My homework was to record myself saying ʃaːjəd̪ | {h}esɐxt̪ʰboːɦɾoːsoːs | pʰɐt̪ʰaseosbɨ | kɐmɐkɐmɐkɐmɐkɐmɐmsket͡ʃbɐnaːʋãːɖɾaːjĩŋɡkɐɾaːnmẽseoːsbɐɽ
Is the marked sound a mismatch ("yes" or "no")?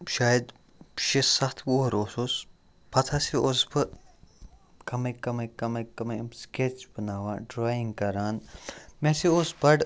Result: yes